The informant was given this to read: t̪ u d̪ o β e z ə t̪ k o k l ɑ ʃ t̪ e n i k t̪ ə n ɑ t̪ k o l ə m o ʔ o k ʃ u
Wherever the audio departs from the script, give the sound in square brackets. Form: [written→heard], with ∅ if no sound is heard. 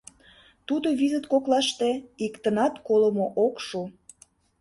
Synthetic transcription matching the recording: t̪ u d̪ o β [e→i] z ə t̪ k o k l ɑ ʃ t̪ e [n→∅] i k t̪ ə n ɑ t̪ k o l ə m o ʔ o k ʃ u